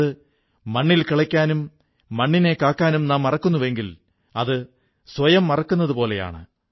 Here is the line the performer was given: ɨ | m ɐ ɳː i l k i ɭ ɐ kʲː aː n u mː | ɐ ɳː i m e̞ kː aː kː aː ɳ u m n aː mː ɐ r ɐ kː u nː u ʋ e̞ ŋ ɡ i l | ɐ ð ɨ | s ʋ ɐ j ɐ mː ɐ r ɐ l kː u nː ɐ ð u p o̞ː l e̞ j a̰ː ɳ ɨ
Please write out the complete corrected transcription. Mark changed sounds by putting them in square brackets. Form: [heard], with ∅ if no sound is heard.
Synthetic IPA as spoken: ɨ | m ɐ ɳː i l k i ɭ ɐ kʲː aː n u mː | ɐ ɳː i [n] e̞ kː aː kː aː [n] u m n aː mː ɐ r ɐ kː u nː u ʋ e̞ ŋ ɡ i l | ɐ ð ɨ | s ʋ ɐ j ɐ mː ɐ r ɐ [∅] kː u nː ɐ ð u p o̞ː l e̞ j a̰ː ɳ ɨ